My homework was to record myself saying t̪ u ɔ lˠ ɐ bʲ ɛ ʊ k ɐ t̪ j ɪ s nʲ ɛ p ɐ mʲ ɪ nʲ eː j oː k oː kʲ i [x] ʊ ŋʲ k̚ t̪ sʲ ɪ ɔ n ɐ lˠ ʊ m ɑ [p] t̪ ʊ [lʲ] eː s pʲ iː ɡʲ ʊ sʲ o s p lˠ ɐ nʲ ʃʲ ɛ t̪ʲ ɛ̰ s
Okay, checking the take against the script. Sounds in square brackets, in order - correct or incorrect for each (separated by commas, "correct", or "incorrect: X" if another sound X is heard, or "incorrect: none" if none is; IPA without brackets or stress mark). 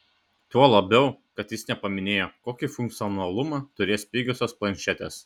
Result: incorrect: f, incorrect: none, incorrect: ɾʲ